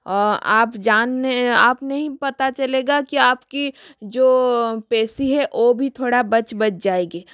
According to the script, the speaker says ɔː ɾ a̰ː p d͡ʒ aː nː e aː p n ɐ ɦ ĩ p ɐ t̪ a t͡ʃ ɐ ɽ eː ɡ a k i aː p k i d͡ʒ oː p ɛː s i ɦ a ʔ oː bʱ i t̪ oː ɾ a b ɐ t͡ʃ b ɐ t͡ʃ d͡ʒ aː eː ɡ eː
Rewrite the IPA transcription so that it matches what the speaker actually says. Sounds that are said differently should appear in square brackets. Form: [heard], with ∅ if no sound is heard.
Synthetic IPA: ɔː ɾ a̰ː p d͡ʒ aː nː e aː p n ɐ ɦ ĩ p ɐ t̪ a t͡ʃ ɐ [l] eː ɡ a k i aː p k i d͡ʒ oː p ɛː s i ɦ [ɛ] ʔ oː bʱ i [t̪ʰ] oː [ɽ] a b ɐ t͡ʃ b ɐ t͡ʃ d͡ʒ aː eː ɡ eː